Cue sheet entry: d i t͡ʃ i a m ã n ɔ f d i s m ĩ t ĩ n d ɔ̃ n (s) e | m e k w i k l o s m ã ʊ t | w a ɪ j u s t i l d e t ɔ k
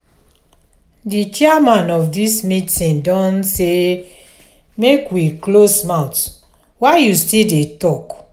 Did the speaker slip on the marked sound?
no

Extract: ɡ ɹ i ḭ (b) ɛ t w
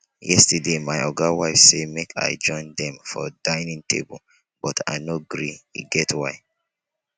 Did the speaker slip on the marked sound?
yes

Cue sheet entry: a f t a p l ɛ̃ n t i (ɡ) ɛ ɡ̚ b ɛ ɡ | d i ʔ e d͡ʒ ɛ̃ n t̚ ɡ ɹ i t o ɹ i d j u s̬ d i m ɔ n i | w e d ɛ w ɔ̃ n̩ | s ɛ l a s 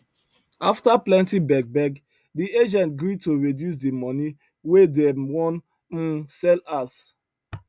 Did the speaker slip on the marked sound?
yes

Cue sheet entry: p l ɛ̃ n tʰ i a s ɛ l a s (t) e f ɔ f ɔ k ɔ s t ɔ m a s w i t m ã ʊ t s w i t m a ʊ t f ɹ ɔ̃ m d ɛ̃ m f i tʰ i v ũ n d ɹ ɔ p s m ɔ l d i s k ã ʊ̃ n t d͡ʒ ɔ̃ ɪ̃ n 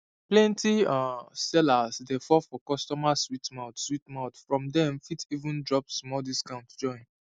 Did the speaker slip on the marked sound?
yes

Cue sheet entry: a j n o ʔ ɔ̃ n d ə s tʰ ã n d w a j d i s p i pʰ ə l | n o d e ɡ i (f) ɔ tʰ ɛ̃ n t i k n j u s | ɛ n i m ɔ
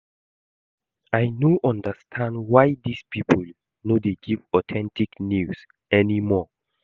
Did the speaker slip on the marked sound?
yes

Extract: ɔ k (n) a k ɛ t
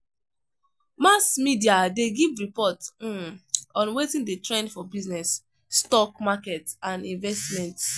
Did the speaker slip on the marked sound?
yes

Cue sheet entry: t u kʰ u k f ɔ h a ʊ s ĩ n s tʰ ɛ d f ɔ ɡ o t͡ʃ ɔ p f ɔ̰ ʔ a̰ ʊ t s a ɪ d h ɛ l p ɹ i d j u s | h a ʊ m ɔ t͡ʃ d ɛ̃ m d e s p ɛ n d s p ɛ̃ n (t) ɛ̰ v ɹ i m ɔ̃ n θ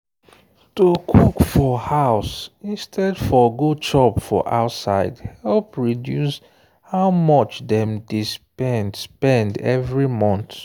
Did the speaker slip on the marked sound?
yes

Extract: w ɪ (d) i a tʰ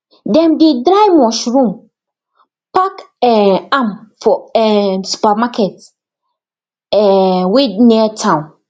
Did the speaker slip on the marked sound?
yes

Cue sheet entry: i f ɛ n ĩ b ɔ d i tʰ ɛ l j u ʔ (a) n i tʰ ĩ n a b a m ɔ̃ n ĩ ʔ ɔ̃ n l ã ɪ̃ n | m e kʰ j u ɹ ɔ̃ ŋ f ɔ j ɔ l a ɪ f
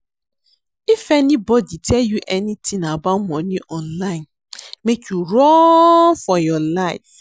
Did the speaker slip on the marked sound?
yes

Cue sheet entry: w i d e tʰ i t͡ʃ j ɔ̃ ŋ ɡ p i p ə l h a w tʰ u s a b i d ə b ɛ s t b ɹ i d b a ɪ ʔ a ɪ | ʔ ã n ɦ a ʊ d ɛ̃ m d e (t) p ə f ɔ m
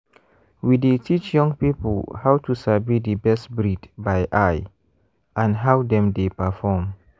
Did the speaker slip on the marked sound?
yes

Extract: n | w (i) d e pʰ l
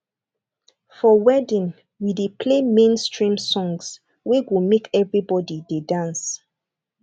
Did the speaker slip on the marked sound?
no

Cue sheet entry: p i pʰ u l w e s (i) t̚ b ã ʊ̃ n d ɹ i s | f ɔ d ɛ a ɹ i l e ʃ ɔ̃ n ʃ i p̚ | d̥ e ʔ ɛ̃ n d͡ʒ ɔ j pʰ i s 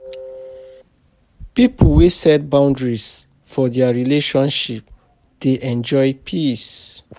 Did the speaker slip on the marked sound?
yes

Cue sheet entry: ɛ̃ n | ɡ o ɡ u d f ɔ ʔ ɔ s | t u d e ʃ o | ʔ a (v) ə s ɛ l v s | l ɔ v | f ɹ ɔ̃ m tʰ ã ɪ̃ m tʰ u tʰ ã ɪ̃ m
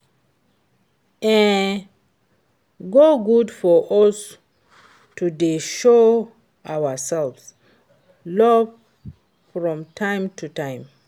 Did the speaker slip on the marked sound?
yes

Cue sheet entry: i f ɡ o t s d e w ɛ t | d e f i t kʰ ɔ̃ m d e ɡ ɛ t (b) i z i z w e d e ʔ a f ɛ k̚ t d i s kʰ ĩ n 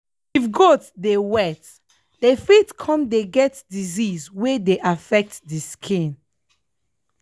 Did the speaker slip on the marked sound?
yes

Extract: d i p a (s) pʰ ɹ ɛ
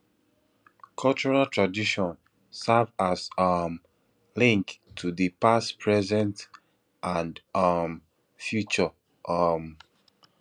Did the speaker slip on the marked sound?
no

